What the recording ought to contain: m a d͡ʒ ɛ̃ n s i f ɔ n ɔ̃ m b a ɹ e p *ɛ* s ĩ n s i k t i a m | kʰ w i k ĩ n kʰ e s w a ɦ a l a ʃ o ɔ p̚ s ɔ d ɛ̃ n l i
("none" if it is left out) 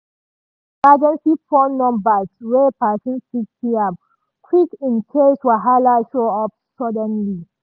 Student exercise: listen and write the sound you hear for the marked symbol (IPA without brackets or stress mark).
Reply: a